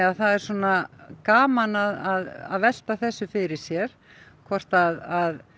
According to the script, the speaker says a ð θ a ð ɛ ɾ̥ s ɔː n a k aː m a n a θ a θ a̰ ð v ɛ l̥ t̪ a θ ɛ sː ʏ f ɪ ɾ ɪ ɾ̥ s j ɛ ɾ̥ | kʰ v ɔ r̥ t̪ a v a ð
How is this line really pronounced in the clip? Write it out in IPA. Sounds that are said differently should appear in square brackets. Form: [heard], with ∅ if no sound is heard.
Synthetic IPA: a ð θ a ð ɛ ɾ̥ s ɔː n a k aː m a n a [ð] a [ð] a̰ ð v ɛ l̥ t̪ a θ ɛ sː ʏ f ɪ ɾ ɪ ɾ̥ s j ɛ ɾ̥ | kʰ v ɔ r̥ t̪ a [ð] a ð